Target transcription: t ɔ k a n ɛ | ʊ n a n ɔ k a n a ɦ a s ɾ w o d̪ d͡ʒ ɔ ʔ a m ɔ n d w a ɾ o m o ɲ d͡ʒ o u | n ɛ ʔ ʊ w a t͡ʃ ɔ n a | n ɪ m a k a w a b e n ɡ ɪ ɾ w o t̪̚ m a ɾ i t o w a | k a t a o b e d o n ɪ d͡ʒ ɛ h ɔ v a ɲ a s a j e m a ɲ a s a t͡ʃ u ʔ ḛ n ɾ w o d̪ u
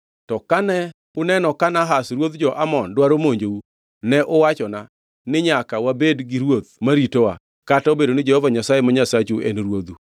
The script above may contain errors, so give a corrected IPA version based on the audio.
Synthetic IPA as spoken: t ɔ k a n ɛ | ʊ n ɛ n ɔ k a n a ɦ a s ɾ w o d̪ d͡ʒ ɔ ʔ a m ɔ n d w a ɾ o m o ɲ d͡ʒ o u | n ɛ ʔ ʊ w a t͡ʃ ɔ n a | n ɪ ɲ a k a w a b e d ɡ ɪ ɾ w o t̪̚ m a ɾ i t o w a | k a t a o b e d o n ɪ d͡ʒ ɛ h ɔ v a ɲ a s a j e m a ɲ a s a t͡ʃ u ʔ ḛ n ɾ w o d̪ u

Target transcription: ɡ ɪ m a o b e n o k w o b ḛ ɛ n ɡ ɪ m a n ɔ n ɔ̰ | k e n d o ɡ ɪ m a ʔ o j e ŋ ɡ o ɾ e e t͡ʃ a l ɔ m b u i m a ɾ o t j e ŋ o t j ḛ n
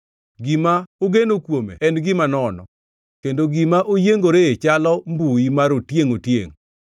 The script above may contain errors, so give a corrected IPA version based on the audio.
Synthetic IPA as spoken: ɡ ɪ m a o ɡ e n o k w o m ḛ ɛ n ɡ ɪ m a n ɔ n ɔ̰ | k e n d o ɡ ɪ m a ʔ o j e ŋ ɡ o ɾ e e t͡ʃ a l ɔ m b u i m a ɾ o t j e ŋ o t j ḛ ŋ

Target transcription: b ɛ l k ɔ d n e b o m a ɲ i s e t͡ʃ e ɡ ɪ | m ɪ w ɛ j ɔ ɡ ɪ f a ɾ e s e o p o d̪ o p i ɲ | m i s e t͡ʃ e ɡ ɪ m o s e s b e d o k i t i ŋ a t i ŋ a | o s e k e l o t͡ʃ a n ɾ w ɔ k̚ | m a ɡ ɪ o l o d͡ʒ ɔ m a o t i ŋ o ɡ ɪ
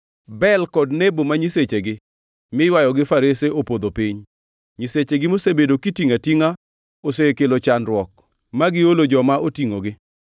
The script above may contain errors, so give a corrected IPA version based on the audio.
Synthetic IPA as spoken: b ɛ l k ɔ d n e b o m a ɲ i s e t͡ʃ e ɡ ɪ | m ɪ w a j ɔ ɡ ɪ f a ɾ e s e o p o d̪ o p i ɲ | ɲ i s e t͡ʃ e ɡ ɪ m o s e b e d o k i t i ŋ a t i ŋ a | o s e k e l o t͡ʃ a n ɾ w ɔ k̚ | m a ɡ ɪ o l o d͡ʒ ɔ m a o t i ŋ o ɡ ɪ

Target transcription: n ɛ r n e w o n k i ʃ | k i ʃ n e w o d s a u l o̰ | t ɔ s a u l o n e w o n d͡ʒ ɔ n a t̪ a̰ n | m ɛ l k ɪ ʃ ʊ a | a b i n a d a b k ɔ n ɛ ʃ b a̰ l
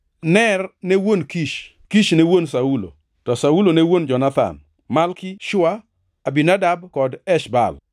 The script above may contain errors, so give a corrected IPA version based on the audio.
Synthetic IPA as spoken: n ɛ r n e w o n k i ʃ | k i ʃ n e w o n s a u l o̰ | t ɔ s a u l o n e w o n d͡ʒ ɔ n a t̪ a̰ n | m a l k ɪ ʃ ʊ a | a b i n a d a b k ɔ d ɛ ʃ b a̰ l

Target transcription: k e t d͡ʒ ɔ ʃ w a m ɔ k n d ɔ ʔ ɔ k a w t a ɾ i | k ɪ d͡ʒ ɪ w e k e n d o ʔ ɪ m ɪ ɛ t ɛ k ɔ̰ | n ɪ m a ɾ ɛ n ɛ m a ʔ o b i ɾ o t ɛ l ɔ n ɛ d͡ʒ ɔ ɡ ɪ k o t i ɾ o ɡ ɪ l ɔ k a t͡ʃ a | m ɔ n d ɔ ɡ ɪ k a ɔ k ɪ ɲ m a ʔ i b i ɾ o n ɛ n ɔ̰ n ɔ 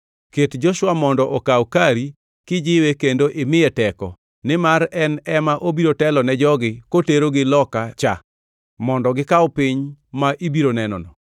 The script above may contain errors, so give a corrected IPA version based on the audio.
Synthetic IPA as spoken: k e t d͡ʒ ɔ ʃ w a m ɔ n d ɔ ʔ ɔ k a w k a ɾ i | k ɪ d͡ʒ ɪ w e k e n d o ʔ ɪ m ɪ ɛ t ɛ k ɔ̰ | n ɪ m a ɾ ɛ n ɛ m a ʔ o b i ɾ o t ɛ l ɔ n ɛ d͡ʒ ɔ ɡ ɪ k o t e ɾ o ɡ ɪ l ɔ k a t͡ʃ a | m ɔ n d ɔ ɡ ɪ k a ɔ p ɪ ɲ m a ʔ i b i ɾ o n ɛ n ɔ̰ n ɔ

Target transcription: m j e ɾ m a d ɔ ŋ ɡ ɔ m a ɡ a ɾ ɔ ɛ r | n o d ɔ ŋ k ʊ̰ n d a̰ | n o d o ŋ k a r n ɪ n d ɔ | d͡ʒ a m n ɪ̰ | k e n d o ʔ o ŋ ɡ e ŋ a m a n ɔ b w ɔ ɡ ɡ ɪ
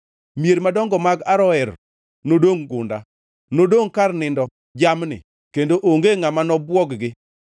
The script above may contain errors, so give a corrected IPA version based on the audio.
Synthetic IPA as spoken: m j e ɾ m a d ɔ ŋ ɡ ɔ m a ɡ a ɾ ɔ ɛ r | n o d o ŋ ɡ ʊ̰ n d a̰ | n o d o ŋ k a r n ɪ n d ɔ | d͡ʒ a m n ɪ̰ | k e n d o ʔ o ŋ ɡ e ŋ a m a n ɔ b w ɔ ɡ ɡ ɪ

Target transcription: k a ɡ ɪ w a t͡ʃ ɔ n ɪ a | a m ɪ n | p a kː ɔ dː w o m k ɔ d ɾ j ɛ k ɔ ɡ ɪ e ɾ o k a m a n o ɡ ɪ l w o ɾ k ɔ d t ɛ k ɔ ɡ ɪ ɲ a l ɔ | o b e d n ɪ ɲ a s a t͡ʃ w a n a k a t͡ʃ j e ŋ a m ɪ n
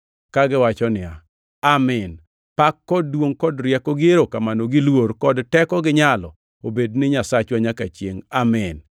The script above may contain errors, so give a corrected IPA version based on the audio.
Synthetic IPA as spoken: k a ɡ ɪ w a t͡ʃ ɔ n ɪ a | a m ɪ n | p a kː ɔ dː w o ŋ k ɔ d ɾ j ɛ k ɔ ɡ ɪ e ɾ o k a m a n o ɡ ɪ l w o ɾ k ɔ d t ɛ k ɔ ɡ ɪ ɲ a l ɔ | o b e d n ɪ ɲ a s a t͡ʃ w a ɲ a k a t͡ʃ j e ŋ a m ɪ n

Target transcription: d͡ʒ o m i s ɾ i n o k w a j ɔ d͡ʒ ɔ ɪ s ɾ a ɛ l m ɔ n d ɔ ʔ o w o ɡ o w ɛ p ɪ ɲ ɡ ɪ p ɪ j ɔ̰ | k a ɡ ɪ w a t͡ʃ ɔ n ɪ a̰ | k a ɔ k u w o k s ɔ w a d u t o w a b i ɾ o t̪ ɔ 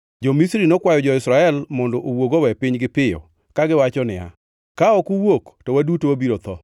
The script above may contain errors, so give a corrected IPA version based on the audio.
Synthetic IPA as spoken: d͡ʒ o m i s ɾ i n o k w a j ɔ d͡ʒ ɔ ɪ s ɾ a ɛ l m ɔ n d ɔ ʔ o w o ɡ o w ɛ p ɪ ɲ ɡ ɪ p ɪ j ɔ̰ | k a ɡ ɪ w a t͡ʃ ɔ n ɪ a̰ | k a ɔ k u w o k t ɔ w a d u t o w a b i ɾ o t̪ ɔ

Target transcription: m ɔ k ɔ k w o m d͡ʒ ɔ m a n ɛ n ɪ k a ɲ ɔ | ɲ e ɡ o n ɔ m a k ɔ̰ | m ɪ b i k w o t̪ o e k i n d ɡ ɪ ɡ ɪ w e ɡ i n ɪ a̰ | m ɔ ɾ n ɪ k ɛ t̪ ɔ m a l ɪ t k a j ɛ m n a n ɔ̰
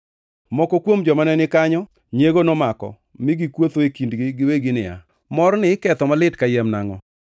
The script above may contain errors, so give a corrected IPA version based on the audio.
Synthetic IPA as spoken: m ɔ k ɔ k w o m d͡ʒ ɔ m a n ɛ n ɪ k a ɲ ɔ | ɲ e ɡ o n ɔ m a k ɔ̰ | m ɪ ɡ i k w o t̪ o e k i n d ɡ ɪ ɡ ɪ w e ɡ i n ɪ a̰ | m ɔ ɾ n ɪ k ɛ t̪ ɔ m a l ɪ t k a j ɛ m n a ŋ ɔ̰

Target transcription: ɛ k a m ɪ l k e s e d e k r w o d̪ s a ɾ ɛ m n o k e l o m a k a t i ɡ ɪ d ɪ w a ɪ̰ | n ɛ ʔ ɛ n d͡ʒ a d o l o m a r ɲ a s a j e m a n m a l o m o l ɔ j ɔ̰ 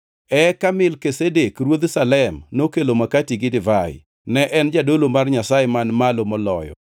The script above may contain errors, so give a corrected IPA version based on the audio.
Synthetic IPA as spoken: ɛ k a m ɪ l k e s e d e k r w o d̪ s a l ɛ m n o k e l o m a k a t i ɡ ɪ d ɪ v a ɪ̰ | n ɛ ʔ ɛ n d͡ʒ a d o l o m a r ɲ a s a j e m a n m a l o m ɔ l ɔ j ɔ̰

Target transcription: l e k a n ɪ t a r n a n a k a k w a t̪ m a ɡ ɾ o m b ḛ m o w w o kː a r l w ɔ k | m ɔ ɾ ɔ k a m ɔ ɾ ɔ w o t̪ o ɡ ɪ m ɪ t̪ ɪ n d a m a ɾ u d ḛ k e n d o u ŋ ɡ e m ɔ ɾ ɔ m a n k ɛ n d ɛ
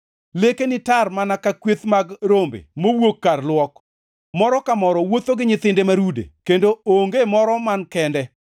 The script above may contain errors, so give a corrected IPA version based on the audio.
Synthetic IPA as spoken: l e k e n ɪ t a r m a n a k a k w e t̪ m a ɡ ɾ o m b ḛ m o w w o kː a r l w ɔ k | m ɔ ɾ ɔ k a m ɔ ɾ ɔ w o t̪ o ɡ ɪ ɲ ɪ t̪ ɪ n d e m a ɾ u d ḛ k e n d o o ŋ ɡ e m ɔ ɾ ɔ m a n k ɛ n d ɛ

